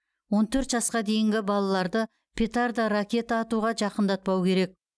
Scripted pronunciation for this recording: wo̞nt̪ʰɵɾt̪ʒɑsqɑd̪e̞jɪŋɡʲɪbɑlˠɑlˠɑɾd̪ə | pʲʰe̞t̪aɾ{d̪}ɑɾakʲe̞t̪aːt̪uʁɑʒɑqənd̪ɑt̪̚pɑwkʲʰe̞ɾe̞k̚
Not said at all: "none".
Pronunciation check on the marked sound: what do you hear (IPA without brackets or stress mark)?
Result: d̪